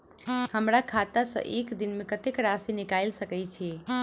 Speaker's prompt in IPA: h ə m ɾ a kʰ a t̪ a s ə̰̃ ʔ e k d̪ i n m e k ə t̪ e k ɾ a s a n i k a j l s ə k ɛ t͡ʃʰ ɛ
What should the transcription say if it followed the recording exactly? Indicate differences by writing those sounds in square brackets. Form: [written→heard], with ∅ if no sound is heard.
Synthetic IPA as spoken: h ə m ɾ a kʰ a t̪ a s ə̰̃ ʔ e k d̪ i n m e k ə t̪ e k ɾ a s [a→i] n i k a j l s ə k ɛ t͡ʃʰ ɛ